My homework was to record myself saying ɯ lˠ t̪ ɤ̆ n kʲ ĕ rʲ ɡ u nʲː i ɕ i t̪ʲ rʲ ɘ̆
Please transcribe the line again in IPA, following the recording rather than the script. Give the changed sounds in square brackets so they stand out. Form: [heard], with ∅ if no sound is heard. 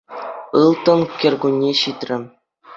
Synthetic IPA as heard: ɯ lˠ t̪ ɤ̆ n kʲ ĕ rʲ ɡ u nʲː [e] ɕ i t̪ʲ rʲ ɘ̆